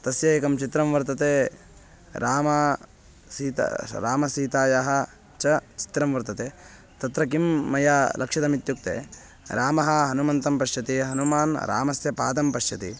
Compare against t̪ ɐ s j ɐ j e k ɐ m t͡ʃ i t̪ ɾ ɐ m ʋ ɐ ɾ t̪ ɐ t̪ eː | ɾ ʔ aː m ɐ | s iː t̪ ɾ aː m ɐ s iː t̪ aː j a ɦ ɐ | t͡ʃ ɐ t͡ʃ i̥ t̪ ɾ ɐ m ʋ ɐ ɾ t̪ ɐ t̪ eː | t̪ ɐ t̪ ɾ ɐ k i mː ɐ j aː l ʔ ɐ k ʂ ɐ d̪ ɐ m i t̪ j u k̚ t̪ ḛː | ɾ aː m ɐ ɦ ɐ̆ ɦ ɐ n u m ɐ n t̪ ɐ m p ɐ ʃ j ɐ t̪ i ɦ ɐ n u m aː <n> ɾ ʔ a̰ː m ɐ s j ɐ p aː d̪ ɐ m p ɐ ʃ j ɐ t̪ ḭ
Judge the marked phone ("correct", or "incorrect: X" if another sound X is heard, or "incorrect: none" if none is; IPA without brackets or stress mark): correct